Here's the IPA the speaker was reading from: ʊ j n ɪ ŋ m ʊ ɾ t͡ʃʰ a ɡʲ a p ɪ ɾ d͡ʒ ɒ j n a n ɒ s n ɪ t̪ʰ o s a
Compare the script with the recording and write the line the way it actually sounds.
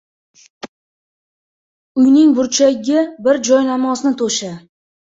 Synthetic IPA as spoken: ʊ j n ɪ ŋ b ʊ ɾ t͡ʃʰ a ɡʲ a b ɪ ɾ d͡ʒ ɒ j n a m ɒ s n ɪ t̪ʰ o ʃ a